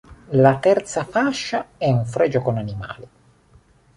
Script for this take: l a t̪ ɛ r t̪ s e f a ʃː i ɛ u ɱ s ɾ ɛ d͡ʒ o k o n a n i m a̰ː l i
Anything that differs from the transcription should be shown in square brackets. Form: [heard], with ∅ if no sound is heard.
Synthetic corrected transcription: l a t̪ ɛ r t̪ s [a] f a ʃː [a] ɛ u ɱ [f] ɾ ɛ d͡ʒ o k o n a n i m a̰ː l i

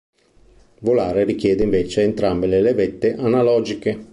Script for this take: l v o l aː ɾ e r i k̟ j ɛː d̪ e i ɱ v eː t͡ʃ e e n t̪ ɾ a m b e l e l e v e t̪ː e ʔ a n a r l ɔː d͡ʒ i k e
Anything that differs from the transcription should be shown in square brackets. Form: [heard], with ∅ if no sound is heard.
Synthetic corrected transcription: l v o l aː ɾ e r i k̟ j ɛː d̪ e i ɱ v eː t͡ʃ e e n t̪ ɾ a m b e l e l e v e t̪ː e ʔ a n a [∅] l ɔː d͡ʒ i k e

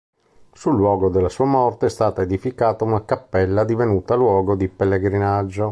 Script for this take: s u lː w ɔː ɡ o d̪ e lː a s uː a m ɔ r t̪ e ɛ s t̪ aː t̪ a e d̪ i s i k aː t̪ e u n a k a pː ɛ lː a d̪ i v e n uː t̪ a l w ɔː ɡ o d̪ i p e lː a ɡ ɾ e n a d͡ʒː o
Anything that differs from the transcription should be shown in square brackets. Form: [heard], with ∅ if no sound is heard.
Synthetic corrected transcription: s u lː w ɔː ɡ o d̪ e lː a s uː a m ɔ r t̪ e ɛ s t̪ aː t̪ a e d̪ i [f] i k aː t̪ [a] u n a k a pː ɛ lː a d̪ i v e n uː t̪ a l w ɔː ɡ o d̪ i p e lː [e] ɡ ɾ [i] n a d͡ʒː o

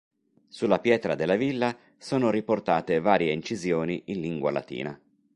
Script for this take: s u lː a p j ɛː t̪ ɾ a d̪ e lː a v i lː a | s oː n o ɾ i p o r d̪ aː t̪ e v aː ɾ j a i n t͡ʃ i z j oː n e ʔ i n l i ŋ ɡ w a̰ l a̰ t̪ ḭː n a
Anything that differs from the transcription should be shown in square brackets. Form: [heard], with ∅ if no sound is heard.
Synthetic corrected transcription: s u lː a p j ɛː t̪ ɾ a d̪ e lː a v i lː a | s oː n o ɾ i p o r [t̪] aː t̪ e v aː ɾ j [e] i n t͡ʃ i z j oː n [i] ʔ i n l i ŋ ɡ w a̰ l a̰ t̪ ḭː n a

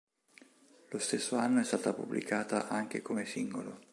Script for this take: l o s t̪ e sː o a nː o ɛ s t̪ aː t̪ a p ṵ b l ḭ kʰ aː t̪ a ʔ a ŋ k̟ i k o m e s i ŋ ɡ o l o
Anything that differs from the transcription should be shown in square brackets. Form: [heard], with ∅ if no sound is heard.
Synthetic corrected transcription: l o s t̪ e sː o a nː o ɛ s t̪ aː t̪ a p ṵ b l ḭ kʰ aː t̪ a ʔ a ŋ k̟ [e] k o m e s i ŋ ɡ o l o

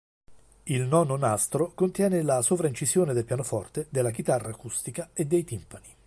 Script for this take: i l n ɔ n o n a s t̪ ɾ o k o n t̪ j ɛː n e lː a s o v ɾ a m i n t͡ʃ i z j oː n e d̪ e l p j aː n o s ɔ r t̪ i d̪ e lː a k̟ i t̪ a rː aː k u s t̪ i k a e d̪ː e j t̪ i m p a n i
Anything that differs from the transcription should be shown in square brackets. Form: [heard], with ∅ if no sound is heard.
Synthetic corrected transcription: i l n ɔ n o n a s t̪ ɾ o k o n t̪ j ɛː n e [l] a s o v ɾ a [∅] i n t͡ʃ i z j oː n e d̪ e l p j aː n o [f] ɔ r t̪ [e] d̪ e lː a k̟ i t̪ a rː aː k u s t̪ i k a e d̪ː e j t̪ i m p a n i

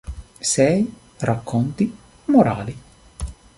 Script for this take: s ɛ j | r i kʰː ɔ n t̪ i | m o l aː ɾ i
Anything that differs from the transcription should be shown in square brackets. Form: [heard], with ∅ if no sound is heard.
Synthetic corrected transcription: s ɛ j | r [a] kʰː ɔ n t̪ i | m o [ɾ] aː [l] i

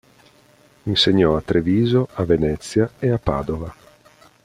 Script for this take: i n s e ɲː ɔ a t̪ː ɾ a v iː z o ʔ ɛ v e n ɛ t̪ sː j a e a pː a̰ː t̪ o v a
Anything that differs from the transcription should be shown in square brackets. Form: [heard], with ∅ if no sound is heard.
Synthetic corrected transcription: i n s e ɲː ɔ a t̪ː ɾ [e] v iː z o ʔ [a] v e n ɛ t̪ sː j a e a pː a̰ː [d̪] o v a

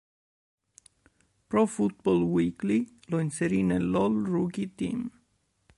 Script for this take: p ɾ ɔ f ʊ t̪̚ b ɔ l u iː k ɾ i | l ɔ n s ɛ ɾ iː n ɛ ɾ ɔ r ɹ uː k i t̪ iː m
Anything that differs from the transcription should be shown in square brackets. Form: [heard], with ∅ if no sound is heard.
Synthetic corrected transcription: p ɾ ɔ f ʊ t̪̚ b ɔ l [w] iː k [l] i | l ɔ n s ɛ ɾ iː n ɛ [l] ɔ [l] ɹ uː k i t̪ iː m

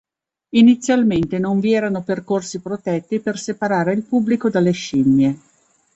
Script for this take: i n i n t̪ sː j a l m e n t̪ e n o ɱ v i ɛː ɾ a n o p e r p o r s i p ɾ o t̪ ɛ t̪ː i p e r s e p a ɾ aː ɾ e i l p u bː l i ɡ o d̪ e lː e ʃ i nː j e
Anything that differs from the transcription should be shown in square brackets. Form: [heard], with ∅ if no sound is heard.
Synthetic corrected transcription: i n i [∅] t̪ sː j a l m e n t̪ e n o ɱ v i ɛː ɾ a n o p e r [k] o r s i p ɾ o t̪ ɛ t̪ː i p e r s e p a ɾ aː ɾ e i l p u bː l i [k] o d̪ [a] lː e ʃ i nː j e

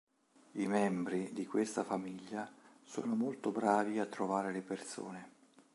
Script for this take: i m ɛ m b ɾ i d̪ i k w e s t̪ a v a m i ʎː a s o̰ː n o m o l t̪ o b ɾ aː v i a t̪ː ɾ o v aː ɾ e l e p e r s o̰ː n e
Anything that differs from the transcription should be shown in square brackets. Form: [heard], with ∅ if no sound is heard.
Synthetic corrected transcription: i m ɛ m b ɾ i d̪ i k w e s t̪ a [f] a m i ʎː a s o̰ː n o m o l t̪ o b ɾ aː v i a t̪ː ɾ o v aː ɾ e l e p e r s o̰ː n e

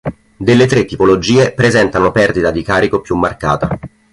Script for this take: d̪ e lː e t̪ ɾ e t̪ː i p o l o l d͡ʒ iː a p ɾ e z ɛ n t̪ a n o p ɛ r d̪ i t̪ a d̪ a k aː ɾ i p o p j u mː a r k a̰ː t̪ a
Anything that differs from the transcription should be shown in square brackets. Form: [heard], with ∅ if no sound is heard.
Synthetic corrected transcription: d̪ e lː e t̪ ɾ e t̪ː i p o l o [∅] d͡ʒ iː [e] p ɾ e z ɛ n t̪ a n o p ɛ r d̪ i t̪ a d̪ [i] k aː ɾ i [k] o p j u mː a r k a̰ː t̪ a

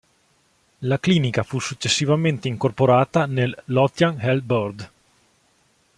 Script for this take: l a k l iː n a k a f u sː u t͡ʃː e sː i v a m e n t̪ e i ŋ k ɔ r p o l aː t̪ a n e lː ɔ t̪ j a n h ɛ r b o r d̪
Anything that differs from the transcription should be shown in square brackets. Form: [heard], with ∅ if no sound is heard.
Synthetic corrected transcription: l a k l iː n [i] k a f u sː u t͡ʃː e sː i v a m e n t̪ e i ŋ k [o] r p o [ɾ] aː t̪ a n e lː ɔ t̪ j a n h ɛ [l] b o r d̪

